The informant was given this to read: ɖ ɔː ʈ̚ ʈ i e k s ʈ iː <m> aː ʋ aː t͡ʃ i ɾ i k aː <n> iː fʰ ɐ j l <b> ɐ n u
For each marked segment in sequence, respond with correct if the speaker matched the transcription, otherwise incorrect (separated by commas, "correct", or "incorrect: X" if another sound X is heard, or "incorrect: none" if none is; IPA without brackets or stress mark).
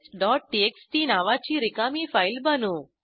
incorrect: n, incorrect: m, correct